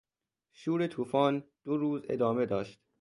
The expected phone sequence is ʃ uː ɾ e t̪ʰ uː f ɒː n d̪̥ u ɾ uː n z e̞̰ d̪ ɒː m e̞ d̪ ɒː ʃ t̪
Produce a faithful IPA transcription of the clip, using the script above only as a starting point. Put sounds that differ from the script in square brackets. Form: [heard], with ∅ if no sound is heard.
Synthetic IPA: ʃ uː ɾ e t̪ʰ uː f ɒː n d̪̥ [o] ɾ uː [∅] z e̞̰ d̪ ɒː m e̞ d̪ ɒː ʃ t̪